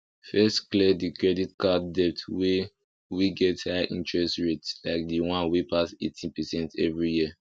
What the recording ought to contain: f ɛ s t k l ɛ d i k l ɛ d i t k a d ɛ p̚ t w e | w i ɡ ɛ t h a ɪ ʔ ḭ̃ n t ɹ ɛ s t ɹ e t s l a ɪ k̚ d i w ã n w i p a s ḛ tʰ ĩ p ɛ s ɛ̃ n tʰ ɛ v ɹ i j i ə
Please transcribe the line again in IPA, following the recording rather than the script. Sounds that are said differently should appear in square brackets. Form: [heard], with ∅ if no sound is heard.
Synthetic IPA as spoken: f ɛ s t k l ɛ d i k [ɹ] ɛ d i t k a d ɛ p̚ t w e | w i ɡ ɛ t h a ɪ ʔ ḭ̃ n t ɹ ɛ s t ɹ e t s l a ɪ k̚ d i w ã n w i p a s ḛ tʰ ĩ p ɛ s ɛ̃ n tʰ ɛ v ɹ i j i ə